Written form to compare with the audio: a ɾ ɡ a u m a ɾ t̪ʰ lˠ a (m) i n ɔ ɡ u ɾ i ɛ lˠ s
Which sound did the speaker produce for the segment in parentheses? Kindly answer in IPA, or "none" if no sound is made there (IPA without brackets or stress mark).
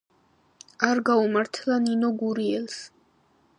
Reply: n